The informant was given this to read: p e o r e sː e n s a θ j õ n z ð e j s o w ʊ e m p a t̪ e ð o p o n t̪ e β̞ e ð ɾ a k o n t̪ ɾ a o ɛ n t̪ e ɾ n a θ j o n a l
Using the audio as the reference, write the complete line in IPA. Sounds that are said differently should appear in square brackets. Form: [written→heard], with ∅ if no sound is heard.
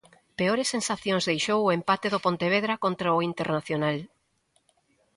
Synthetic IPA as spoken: p e o [r→ɾ] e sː e n s a θ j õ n z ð e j [s→ʃ] o w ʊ e m p a t̪ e ð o p o n t̪ e β̞ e ð ɾ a k o n t̪ ɾ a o [ɛ→i] n t̪ e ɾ n a θ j o n a l